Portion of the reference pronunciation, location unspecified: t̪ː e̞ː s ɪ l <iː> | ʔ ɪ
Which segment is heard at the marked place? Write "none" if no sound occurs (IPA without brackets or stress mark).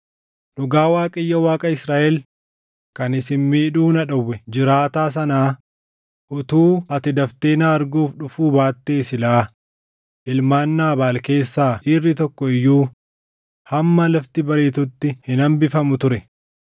aː